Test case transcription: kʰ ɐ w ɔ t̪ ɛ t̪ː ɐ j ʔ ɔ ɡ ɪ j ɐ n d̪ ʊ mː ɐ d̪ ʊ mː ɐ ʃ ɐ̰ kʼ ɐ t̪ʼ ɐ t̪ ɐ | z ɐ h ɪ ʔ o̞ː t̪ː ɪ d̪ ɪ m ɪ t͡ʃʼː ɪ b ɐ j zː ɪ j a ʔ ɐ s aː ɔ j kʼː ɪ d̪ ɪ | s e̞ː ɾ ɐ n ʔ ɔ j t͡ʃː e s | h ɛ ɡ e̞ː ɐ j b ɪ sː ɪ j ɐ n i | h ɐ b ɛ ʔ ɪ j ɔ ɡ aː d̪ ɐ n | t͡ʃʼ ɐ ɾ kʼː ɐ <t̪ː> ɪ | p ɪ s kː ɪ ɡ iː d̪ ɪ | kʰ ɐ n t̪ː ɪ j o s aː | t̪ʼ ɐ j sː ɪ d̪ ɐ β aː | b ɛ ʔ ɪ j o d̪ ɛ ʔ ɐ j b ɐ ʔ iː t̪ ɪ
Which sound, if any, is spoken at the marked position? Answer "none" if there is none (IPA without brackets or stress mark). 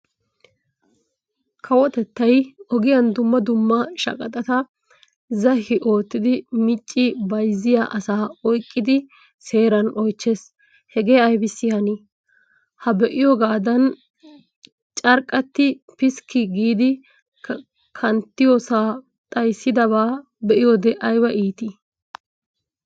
t̪ː